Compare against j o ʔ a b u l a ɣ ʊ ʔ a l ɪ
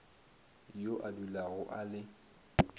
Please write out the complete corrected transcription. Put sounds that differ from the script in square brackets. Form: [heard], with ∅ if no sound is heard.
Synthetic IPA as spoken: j o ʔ a [d] u l a ɣ ʊ ʔ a l ɪ